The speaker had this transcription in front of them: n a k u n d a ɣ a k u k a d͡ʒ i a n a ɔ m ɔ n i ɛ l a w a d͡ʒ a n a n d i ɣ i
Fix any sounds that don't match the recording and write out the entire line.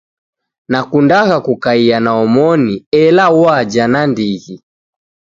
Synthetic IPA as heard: n a k u n d a ɣ a k u k a i a n a ɔ m ɔ n i ɛ l a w a d͡ʒ a n a n d i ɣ i